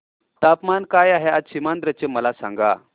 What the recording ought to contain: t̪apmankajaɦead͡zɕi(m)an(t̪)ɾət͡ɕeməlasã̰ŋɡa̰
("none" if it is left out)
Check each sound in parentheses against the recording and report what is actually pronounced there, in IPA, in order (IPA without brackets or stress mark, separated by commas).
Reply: m, d̪